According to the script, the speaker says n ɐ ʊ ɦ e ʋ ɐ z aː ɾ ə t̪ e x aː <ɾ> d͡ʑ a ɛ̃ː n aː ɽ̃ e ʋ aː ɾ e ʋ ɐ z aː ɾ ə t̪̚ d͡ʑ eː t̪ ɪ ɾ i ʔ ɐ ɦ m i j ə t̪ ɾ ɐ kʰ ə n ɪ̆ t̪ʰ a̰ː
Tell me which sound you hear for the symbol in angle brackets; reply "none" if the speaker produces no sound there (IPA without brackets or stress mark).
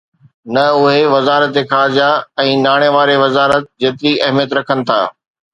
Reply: ɾ